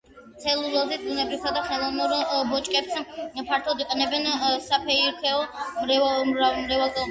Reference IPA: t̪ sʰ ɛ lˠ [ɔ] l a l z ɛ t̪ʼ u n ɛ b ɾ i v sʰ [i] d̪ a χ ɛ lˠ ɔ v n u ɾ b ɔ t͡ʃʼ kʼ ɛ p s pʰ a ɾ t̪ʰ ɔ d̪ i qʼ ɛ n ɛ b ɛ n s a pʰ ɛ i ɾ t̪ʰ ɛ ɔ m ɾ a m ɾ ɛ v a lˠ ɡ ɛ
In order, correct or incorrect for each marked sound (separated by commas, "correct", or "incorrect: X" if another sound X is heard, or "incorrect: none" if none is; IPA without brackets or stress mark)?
incorrect: u, incorrect: a